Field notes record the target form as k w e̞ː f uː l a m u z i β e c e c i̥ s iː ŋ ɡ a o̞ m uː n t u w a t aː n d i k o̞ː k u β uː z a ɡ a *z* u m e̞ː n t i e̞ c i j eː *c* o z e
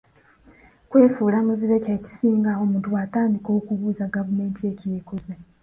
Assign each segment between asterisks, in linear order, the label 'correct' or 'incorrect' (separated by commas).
incorrect, incorrect